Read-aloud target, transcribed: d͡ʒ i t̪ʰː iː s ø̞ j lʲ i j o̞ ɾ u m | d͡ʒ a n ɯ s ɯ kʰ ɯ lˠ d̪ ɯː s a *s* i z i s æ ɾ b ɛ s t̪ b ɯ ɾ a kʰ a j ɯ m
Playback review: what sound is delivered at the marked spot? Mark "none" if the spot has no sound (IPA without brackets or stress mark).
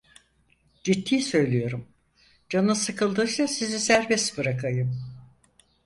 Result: s